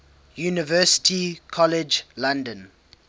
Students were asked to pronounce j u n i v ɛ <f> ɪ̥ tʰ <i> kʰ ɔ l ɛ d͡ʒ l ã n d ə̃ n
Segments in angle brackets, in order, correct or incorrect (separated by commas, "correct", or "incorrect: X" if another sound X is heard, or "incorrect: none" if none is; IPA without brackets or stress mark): incorrect: s, correct